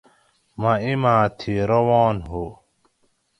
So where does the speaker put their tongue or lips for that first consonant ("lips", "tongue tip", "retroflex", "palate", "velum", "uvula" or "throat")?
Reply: lips